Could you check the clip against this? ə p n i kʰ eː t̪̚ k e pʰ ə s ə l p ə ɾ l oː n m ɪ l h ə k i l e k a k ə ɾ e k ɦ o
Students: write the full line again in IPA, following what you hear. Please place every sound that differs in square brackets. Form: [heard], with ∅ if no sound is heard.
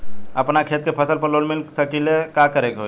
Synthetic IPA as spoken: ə p n [a] kʰ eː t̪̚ k e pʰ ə s ə l p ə ɾ l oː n m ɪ l [s] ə k i l e k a k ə ɾ e k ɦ o